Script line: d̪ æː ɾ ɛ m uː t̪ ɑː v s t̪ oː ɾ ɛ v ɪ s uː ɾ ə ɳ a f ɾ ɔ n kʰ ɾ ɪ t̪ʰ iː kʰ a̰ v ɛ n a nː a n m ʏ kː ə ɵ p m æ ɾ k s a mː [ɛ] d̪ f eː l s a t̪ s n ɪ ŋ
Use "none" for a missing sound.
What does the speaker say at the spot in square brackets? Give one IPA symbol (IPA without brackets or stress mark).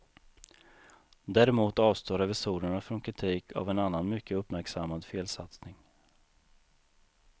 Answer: a